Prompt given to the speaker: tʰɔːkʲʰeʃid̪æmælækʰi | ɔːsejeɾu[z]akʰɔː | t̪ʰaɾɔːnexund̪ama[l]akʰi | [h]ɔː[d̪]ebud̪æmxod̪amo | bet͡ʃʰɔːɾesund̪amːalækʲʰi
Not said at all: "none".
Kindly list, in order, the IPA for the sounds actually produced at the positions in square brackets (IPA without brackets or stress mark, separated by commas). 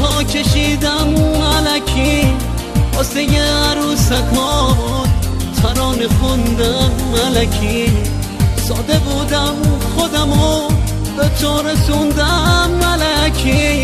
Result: s, l, s, d̪